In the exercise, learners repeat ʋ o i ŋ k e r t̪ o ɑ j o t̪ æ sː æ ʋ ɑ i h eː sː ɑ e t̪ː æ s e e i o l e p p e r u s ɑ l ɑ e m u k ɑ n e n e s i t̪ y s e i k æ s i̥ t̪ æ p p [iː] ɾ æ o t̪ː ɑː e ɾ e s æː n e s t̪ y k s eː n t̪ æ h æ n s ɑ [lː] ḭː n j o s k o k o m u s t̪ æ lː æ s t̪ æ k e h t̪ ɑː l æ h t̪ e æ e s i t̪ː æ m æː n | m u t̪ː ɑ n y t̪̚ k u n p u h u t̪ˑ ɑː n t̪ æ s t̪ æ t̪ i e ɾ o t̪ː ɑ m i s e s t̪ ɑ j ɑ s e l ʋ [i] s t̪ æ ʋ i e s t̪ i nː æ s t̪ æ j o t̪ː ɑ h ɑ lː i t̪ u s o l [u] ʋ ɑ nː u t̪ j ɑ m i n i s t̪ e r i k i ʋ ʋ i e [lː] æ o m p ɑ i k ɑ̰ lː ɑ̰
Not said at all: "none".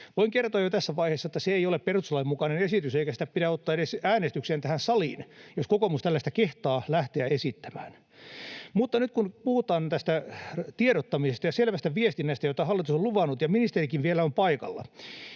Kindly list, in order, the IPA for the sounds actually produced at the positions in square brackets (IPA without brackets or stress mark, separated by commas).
i, l, æ, u, l